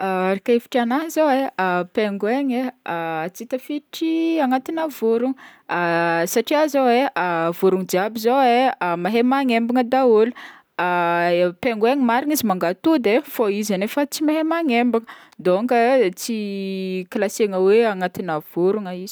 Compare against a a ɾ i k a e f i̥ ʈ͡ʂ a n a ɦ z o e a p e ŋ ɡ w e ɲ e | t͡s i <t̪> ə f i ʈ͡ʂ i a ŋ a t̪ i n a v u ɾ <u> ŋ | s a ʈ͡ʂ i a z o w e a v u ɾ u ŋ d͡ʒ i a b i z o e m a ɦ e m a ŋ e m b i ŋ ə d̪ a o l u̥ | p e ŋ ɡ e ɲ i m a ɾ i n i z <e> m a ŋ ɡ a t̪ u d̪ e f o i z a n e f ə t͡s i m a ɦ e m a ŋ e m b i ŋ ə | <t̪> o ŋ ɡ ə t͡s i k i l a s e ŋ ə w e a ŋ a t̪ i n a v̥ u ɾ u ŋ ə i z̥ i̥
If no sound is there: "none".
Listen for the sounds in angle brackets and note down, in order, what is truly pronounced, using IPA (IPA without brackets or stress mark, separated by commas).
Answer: t̪, u, i, d̪